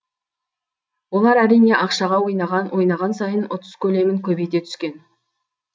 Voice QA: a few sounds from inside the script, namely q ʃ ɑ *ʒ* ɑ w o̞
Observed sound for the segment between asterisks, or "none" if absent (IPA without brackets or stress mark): ʁ